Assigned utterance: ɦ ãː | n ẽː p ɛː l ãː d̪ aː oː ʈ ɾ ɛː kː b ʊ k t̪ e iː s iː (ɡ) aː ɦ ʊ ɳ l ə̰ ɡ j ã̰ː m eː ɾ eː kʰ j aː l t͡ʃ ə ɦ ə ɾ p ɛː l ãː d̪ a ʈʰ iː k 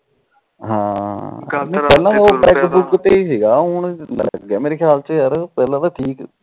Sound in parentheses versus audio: correct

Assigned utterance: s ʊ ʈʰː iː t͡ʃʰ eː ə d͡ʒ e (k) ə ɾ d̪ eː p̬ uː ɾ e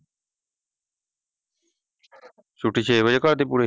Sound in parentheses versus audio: correct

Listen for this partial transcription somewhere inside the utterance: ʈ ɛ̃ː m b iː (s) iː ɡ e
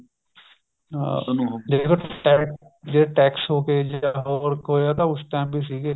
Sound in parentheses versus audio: correct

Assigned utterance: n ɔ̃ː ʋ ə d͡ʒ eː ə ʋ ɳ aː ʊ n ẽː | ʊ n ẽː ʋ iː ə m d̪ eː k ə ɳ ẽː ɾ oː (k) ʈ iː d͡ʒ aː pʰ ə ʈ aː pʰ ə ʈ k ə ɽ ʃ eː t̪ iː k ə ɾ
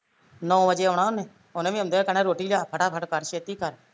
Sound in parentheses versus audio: incorrect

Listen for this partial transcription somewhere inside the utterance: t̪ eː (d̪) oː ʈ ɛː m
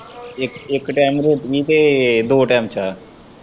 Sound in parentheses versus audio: correct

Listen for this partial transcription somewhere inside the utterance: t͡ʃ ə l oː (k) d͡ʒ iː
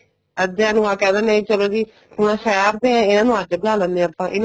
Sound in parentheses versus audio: incorrect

